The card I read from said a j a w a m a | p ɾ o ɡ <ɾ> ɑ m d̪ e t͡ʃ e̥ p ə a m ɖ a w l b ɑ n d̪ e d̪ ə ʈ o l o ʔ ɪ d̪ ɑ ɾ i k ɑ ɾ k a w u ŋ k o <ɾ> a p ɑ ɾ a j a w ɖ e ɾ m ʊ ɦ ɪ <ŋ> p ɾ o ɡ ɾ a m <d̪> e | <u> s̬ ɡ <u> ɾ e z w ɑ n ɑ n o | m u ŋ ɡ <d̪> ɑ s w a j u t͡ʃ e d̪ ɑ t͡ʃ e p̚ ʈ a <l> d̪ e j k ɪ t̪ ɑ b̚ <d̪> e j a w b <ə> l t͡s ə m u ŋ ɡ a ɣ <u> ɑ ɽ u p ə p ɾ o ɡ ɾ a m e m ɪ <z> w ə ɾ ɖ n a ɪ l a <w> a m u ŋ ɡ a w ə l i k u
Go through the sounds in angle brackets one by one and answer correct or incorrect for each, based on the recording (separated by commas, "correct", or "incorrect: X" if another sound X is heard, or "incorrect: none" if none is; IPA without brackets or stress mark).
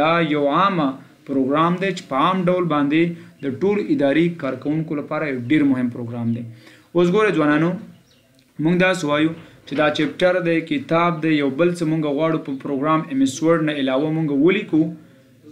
correct, incorrect: l, incorrect: m, correct, incorrect: o, incorrect: o, correct, incorrect: ɾ, correct, correct, incorrect: w, incorrect: s, correct